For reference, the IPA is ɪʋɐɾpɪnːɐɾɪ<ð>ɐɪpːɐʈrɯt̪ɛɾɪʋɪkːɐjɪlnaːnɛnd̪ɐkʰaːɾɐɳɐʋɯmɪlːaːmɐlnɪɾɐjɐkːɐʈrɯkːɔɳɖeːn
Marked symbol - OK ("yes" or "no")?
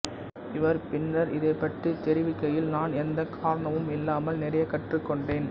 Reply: yes